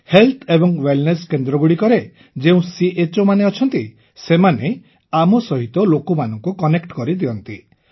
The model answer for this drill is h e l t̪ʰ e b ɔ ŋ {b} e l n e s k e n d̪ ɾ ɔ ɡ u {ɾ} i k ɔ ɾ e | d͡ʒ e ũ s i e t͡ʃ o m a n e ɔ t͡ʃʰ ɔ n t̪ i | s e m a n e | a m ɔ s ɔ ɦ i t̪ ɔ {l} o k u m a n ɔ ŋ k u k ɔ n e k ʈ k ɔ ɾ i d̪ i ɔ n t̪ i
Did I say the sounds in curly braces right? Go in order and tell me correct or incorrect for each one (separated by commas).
incorrect, incorrect, correct